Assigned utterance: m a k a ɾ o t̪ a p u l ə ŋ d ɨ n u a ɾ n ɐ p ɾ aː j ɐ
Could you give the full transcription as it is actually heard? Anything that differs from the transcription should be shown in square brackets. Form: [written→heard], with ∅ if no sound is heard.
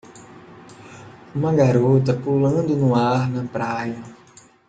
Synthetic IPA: m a [k→ɡ] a ɾ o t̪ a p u l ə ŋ d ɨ n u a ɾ n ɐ p ɾ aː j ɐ